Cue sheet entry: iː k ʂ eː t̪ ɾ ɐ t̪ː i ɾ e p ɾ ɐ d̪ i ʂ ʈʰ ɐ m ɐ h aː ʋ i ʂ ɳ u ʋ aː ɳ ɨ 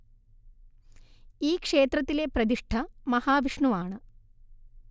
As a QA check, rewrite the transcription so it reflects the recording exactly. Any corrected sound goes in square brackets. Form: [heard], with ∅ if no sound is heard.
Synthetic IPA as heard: iː k ʂ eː t̪ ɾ ɐ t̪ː i [l] e p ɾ ɐ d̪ i ʂ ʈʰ ɐ m ɐ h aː ʋ i ʂ ɳ u ʋ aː ɳ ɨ